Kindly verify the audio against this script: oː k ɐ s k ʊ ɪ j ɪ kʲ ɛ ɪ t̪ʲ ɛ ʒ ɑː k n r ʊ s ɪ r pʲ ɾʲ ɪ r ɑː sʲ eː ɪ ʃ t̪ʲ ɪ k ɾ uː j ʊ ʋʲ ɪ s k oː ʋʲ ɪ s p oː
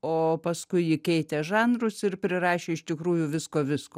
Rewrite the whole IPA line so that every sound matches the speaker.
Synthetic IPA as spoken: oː p ɐ s k ʊ ɪ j ɪ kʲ ɛ ɪ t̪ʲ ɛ ʒ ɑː n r ʊ s ɪ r pʲ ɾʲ ɪ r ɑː ʃʲ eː ɪ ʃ t̪ʲ ɪ k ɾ uː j ʊ ʋʲ ɪ s k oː ʋʲ ɪ s k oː

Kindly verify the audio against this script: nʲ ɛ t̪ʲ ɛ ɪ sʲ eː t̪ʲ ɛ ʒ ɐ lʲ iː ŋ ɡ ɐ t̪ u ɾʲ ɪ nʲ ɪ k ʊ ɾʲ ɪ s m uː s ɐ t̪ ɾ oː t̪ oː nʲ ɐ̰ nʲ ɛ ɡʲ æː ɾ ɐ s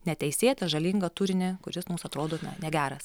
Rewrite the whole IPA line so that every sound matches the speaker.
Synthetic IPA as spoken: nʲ ɛ t̪ʲ ɛ ɪ sʲ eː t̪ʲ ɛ ʒ ɐ lʲ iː ŋ ɡ ɐ t̪ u ɾʲ ɪ nʲ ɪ k ʊ ɾʲ ɪ s m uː s ɐ t̪ ɾ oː d̪ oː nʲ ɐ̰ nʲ ɛ ɡʲ æː ɾ ɐ s

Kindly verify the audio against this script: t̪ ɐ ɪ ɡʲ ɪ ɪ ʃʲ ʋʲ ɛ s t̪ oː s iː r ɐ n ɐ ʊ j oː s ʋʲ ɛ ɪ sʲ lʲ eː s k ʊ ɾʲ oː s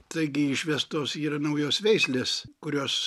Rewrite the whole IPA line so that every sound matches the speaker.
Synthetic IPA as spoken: t̪ ɐ ɪ ɡʲ ɪ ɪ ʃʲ ʋʲ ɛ s t̪ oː s iː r ɐ n ɐ ʊ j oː s ʋʲ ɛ ɪ sʲ lʲ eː s k ʊ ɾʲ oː s

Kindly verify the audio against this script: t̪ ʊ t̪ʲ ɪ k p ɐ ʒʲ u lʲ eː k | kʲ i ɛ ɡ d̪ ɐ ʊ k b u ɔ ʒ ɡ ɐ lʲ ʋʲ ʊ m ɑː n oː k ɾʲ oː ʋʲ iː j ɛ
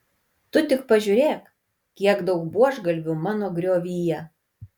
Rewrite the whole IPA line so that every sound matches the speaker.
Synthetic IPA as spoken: t̪ ʊ t̪ʲ ɪ k p ɐ ʒʲ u ɾʲ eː k | kʲ i ɛ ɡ d̪ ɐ ʊ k b u ɔ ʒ ɡ ɐ lʲ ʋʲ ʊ m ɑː n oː ɡ ɾʲ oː ʋʲ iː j ɛ

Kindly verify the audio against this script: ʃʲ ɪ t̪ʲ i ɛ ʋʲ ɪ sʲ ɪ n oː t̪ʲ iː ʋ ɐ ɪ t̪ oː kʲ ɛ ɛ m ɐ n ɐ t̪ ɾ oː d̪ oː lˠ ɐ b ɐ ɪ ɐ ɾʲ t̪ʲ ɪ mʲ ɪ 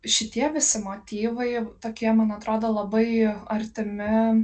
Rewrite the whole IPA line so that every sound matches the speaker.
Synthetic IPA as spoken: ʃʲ ɪ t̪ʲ i ɛ ʋʲ ɪ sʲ ɪ m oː t̪ʲ iː ʋ ɐ ɪ t̪ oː kʲ i ɛ m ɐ n ɐ t̪ ɾ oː d̪ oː lˠ ɐ b ɐ ɪ ɐ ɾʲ t̪ʲ ɪ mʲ ɪ

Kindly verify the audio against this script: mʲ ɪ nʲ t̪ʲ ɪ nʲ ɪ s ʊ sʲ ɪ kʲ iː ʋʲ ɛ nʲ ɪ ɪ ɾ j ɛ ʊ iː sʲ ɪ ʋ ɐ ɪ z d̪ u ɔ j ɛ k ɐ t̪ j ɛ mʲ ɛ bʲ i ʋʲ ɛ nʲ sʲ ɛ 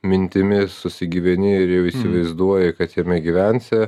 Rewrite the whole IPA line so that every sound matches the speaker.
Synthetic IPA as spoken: mʲ ɪ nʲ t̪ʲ ɪ mʲ ɪ s ʊ sʲ ɪ ɡʲ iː ʋʲ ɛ nʲ ɪ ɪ ɾ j ɛ ʊ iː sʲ ɪ ʋ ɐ ɪ z d̪ u ɔ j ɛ k ɐ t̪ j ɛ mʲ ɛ ɡʲ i ʋʲ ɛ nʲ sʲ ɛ

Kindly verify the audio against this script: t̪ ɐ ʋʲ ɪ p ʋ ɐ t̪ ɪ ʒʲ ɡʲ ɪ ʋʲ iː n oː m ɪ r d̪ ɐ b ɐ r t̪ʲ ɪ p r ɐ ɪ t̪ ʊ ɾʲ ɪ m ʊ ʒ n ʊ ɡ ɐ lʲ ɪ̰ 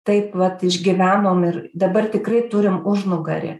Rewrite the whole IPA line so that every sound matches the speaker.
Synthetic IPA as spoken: t̪ ɐ ɪ p ʋ ɐ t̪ ɪ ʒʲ ɡʲ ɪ ʋʲ æː n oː m ɪ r d̪ ɐ b ɐ r t̪ʲ ɪ k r ɐ ɪ t̪ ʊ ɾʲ ɪ m ʊ ʒ n ʊ ɡ ɐ ɾʲ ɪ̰

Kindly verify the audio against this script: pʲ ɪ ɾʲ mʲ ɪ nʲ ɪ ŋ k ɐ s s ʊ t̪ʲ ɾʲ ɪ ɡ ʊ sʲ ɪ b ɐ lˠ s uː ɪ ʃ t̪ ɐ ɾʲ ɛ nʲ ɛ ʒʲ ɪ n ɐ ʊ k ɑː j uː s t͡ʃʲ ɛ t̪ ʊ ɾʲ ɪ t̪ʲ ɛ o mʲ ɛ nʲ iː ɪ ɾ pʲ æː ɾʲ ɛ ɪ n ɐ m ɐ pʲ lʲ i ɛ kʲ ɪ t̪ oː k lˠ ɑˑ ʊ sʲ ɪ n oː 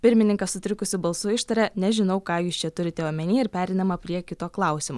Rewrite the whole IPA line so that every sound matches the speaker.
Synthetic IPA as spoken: pʲ ɪ ɾʲ mʲ ɪ nʲ ɪ ŋ k ɐ s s ʊ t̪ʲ ɾʲ ɪ k ʊ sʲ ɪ b ɐ lˠ s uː ɪ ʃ t̪ ɐ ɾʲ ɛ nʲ ɛ ʒʲ ɪ n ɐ ʊ k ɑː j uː s t͡ʃʲ ɛ t̪ ʊ ɾʲ ɪ t̪ʲ ɛ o mʲ ɛ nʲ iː ɪ ɾ pʲ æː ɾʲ ɛ ɪ n ɐ m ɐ pʲ ɾʲ i ɛ kʲ ɪ t̪ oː k lˠ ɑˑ ʊ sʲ ɪ m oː

